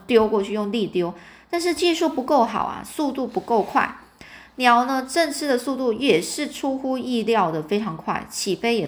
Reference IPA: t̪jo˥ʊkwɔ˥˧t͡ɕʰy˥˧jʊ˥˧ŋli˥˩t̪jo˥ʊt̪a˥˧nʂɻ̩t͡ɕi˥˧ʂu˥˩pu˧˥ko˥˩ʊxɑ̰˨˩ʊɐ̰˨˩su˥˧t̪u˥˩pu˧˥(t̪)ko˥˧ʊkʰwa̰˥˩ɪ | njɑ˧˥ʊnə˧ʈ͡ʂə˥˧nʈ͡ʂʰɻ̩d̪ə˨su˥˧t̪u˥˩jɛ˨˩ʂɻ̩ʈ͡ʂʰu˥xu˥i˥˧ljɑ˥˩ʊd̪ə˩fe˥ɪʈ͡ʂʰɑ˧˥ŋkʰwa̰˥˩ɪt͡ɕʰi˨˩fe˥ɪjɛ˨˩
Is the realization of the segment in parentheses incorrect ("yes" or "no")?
yes